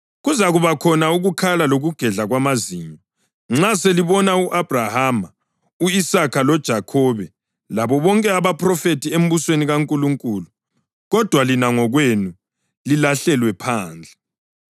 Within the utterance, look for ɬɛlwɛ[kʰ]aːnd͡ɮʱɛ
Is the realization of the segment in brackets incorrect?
yes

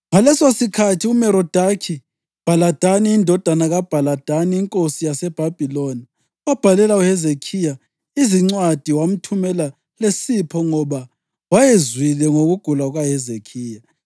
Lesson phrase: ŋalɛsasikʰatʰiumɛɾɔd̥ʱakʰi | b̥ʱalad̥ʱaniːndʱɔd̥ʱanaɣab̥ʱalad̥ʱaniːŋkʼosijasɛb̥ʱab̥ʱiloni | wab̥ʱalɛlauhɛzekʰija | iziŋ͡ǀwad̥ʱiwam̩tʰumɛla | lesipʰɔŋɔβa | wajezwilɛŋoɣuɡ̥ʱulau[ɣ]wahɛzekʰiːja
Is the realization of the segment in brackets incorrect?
no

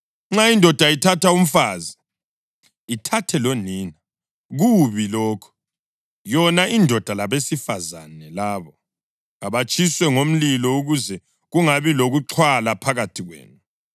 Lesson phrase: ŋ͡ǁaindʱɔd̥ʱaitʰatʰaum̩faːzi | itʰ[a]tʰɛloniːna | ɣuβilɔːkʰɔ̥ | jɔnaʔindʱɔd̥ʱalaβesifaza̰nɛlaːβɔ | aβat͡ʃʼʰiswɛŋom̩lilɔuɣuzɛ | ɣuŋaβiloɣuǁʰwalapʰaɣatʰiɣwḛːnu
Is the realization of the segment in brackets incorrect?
no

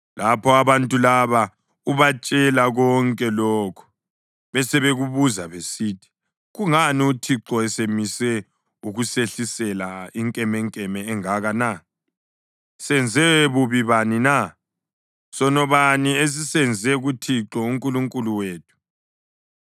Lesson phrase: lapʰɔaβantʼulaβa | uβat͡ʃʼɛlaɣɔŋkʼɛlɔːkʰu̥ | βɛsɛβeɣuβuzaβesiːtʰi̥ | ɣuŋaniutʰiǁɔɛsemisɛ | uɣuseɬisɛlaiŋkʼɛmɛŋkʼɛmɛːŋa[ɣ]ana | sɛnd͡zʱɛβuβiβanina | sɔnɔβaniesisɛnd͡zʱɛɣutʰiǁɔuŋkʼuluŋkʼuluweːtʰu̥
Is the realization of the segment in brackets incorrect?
no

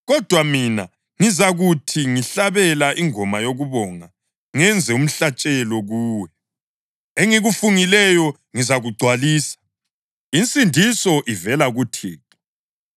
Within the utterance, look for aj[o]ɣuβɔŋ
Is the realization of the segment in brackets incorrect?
no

